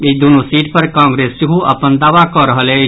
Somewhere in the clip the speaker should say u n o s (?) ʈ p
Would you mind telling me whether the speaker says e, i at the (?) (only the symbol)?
i